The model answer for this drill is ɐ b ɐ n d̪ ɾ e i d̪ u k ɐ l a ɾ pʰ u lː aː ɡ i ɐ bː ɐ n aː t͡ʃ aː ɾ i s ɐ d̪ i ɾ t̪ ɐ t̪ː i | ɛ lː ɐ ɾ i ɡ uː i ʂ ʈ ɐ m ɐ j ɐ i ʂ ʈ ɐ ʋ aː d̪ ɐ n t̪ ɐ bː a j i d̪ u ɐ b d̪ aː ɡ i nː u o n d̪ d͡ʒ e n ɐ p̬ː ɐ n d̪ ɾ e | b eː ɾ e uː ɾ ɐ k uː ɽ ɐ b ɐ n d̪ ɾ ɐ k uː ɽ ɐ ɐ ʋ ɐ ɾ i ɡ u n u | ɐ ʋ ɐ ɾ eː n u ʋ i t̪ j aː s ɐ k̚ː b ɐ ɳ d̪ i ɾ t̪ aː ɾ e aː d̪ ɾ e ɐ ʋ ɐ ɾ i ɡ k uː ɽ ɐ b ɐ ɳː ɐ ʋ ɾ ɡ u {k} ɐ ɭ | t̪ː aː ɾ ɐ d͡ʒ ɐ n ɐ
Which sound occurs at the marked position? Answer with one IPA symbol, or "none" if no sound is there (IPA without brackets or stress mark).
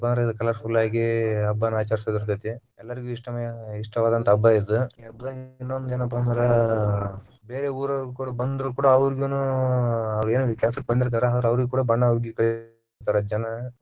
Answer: k